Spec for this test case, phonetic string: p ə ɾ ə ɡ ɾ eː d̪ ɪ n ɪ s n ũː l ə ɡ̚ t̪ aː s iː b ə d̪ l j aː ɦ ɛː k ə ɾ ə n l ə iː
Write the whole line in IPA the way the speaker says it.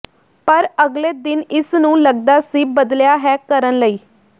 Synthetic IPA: p ə ɾ ə ɡ l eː d̪ ɪ n ɪ s n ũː l ə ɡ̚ d̪ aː s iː b ə d̪ l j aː ɦ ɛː k ə ɾ ə n l ə iː